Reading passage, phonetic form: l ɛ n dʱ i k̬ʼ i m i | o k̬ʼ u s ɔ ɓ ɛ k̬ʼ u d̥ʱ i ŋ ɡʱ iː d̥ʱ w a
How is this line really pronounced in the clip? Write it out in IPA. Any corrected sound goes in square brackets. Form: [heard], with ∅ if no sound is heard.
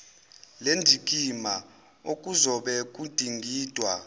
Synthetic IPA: l [e] n dʱ i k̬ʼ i m [a] | o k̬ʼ u [z] ɔ ɓ ɛ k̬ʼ u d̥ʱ i ŋ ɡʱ iː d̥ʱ w a